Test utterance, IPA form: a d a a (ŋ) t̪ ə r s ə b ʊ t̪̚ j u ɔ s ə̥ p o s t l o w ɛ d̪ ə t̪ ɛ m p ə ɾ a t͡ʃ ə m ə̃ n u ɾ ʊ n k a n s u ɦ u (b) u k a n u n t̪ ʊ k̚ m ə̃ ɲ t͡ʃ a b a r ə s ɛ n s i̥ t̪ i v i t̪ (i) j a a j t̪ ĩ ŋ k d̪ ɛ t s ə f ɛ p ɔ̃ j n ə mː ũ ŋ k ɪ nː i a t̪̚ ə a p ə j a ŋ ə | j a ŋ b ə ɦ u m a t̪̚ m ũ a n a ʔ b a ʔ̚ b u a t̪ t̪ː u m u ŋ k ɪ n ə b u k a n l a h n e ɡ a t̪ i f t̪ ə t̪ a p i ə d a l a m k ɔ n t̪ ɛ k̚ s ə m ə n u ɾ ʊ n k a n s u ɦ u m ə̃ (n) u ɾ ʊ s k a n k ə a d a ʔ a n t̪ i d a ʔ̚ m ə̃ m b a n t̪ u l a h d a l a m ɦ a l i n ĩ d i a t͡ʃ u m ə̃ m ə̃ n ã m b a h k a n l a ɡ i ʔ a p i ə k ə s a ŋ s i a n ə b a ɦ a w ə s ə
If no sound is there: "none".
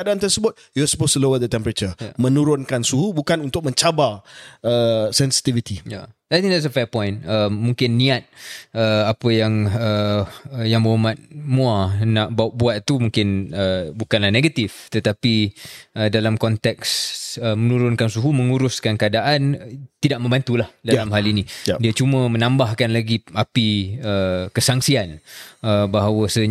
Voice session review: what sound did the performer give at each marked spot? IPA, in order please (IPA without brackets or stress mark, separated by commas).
n, b, i, ŋ